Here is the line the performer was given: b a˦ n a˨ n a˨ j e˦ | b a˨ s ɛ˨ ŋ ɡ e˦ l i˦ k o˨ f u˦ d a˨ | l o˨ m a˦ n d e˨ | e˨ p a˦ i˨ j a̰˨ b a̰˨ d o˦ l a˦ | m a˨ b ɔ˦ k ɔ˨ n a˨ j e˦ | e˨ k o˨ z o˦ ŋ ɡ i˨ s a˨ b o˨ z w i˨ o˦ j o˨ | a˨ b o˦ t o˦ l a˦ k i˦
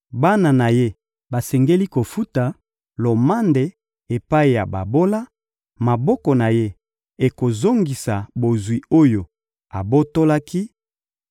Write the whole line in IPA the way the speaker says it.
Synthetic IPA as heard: b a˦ n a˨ n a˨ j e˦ | b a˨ s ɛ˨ ŋ ɡ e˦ l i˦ k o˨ f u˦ t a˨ | l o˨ m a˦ n d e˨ | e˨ p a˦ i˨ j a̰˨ b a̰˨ b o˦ l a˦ | m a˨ b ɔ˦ k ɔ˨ n a˨ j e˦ | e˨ k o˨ z o˦ ŋ ɡ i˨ s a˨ b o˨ z w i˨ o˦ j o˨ | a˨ b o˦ t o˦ l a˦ k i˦